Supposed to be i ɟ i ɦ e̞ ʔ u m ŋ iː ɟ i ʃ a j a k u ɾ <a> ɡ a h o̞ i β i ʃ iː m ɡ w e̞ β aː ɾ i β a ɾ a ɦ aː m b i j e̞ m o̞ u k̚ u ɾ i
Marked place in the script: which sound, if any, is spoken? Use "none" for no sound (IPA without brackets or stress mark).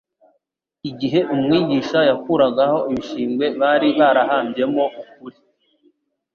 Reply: a